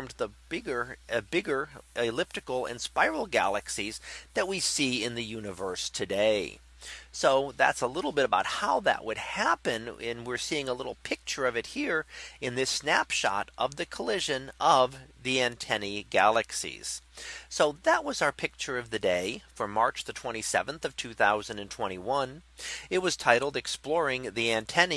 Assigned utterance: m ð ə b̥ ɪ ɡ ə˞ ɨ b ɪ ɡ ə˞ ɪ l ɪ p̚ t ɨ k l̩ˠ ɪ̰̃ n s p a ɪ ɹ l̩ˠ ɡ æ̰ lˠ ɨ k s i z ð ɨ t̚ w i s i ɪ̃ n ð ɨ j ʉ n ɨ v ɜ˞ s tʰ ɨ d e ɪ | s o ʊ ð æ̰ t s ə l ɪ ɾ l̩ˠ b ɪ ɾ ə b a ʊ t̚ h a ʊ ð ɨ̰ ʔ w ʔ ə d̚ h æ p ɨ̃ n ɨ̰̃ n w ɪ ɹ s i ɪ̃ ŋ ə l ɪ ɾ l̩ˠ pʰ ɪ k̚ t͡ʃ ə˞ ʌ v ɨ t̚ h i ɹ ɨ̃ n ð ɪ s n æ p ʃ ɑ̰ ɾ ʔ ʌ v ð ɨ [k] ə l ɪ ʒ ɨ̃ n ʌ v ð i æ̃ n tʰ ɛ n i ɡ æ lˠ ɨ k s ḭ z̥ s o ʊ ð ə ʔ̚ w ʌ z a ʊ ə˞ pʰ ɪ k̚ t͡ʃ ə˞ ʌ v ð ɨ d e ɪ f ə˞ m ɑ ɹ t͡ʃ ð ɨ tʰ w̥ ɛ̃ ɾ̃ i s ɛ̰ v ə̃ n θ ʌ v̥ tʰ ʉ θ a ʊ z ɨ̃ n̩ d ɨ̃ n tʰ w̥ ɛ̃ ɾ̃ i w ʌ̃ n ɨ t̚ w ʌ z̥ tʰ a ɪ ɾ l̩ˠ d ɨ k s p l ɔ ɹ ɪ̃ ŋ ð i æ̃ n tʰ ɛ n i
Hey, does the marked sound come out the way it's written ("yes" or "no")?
no